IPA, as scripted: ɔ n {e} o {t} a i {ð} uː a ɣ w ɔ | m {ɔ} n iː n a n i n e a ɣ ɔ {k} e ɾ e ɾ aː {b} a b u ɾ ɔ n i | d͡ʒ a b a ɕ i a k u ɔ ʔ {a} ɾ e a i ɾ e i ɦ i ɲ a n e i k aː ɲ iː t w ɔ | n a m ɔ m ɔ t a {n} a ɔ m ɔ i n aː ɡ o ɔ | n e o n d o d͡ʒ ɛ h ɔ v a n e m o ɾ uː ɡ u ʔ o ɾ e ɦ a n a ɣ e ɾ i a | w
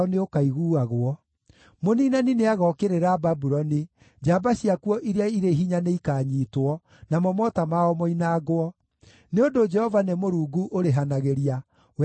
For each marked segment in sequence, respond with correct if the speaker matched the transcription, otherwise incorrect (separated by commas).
correct, incorrect, incorrect, incorrect, correct, correct, incorrect, incorrect